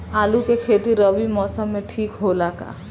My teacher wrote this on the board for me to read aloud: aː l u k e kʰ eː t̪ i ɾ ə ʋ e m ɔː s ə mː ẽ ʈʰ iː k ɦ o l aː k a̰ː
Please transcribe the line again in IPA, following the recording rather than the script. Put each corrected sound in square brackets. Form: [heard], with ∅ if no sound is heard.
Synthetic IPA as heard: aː l u k e kʰ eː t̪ i ɾ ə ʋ [i] m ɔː s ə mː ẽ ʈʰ iː k ɦ o l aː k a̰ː

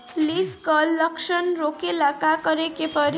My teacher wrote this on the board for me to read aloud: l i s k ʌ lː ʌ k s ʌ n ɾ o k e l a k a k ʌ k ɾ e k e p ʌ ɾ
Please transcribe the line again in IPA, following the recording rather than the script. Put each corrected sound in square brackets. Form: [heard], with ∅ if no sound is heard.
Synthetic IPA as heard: l i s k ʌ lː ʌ k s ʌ n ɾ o k e l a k a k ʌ [∅] ɾ e k e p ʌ ɾ

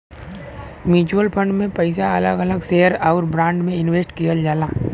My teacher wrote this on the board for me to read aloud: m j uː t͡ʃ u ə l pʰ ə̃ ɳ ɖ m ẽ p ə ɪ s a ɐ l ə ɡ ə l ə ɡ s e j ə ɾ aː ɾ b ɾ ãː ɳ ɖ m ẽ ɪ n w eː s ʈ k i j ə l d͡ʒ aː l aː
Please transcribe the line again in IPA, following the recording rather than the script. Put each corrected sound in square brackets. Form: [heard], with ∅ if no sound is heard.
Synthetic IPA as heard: m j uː t͡ʃ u ə l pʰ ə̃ ɳ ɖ m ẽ p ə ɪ s a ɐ l ə ɡ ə l ə ɡ s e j ə ɾ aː ɾ b ɾ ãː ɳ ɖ m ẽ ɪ n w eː s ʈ k i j ə l d͡ʒ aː l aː

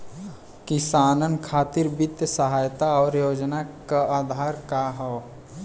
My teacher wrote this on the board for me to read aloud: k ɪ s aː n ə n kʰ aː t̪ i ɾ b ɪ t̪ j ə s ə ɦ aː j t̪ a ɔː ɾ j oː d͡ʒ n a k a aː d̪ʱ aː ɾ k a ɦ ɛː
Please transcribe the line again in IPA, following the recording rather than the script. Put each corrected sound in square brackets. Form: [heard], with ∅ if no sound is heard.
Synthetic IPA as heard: k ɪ s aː n ə n kʰ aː t̪ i ɾ b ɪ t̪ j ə s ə ɦ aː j t̪ a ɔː ɾ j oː d͡ʒ n a k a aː d̪ʱ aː ɾ k a ɦ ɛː

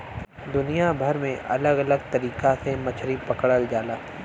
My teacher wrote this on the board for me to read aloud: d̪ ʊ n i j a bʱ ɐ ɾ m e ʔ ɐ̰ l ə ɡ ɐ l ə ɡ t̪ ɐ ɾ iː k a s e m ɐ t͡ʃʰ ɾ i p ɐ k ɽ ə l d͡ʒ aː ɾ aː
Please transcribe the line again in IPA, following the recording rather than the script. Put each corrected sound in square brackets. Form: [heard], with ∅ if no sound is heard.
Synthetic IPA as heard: d̪ ʊ n i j a bʱ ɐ ɾ m [ẽ] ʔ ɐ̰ l ə ɡ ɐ l ə ɡ t̪ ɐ ɾ iː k a s e m ɐ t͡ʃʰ ɾ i p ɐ k ɽ ə l d͡ʒ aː [l] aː

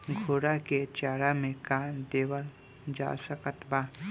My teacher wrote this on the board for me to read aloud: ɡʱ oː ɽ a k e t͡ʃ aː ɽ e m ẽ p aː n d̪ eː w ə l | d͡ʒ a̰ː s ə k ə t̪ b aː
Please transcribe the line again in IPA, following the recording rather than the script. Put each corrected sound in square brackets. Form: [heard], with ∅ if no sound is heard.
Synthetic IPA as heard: ɡʱ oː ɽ a k e t͡ʃ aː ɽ [a] m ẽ [k] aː n d̪ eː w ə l | d͡ʒ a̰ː s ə k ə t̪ b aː

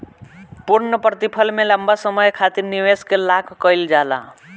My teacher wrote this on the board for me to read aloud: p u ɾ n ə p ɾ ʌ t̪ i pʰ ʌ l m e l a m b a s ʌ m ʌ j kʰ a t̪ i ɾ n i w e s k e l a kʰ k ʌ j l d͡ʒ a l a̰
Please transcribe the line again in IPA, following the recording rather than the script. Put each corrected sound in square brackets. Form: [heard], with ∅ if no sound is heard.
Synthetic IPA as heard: p u ɾ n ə p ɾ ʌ t̪ i pʰ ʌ l m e l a m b a s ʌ m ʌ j kʰ a t̪ i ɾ n i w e s k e l a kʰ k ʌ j l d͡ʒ a l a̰

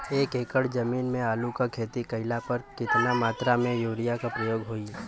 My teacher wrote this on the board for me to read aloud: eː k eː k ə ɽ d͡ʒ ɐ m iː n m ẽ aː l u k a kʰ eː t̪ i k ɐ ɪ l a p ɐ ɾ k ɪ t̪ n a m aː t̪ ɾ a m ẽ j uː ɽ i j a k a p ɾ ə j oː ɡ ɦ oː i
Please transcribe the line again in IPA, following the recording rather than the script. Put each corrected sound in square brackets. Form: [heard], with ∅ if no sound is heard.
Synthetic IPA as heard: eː k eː k ə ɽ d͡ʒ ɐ m iː n m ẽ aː l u k a kʰ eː t̪ i k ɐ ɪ l a p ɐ ɾ k ɪ t̪ n a m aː t̪ ɾ a m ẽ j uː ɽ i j a k a p ɾ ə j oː ɡ ɦ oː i

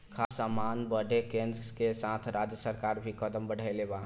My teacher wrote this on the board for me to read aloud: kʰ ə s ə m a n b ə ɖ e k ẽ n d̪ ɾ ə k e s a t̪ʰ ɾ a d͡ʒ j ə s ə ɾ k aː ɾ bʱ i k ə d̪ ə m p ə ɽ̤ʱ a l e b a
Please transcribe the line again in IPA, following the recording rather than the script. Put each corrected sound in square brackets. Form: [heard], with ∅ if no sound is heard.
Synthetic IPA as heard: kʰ [a] s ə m a n b ə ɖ e k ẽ n d̪ ɾ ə k e s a t̪ʰ ɾ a d͡ʒ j ə s ə ɾ k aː ɾ bʱ i k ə d̪ ə m [b] ə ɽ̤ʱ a l e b a

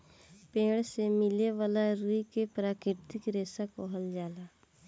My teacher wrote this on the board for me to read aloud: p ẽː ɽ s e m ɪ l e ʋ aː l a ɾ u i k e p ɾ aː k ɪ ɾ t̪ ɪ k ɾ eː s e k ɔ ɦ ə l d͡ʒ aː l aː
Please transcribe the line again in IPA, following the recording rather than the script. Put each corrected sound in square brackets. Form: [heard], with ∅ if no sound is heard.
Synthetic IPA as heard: p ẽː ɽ s e m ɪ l e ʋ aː l a ɾ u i k e p ɾ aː k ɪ ɾ t̪ ɪ k ɾ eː s [a] k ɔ ɦ ə l d͡ʒ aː l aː

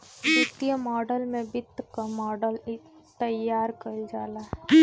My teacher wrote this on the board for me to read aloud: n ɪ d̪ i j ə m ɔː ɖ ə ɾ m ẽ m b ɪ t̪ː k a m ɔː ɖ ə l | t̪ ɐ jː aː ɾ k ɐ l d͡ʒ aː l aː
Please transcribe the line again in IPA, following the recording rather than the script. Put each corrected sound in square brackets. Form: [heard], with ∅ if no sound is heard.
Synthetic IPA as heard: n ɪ [t̪] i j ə m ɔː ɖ ə [l] m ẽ [∅] b ɪ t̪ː k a m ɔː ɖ ə l | t̪ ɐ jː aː ɾ k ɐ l d͡ʒ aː l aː

